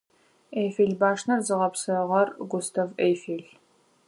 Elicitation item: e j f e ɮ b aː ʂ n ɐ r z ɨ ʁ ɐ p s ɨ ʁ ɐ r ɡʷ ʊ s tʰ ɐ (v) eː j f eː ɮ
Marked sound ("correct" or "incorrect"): correct